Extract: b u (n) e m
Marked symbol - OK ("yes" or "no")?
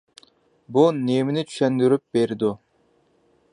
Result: yes